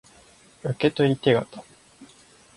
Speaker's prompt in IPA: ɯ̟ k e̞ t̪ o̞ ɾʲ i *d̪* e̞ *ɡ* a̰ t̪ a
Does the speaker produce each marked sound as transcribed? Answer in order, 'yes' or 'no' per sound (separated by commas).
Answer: no, yes